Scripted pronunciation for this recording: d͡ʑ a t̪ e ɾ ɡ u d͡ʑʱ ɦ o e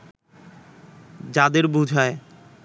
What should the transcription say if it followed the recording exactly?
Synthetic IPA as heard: d͡ʑ a d̪ e ɾ b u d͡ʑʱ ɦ ɔ e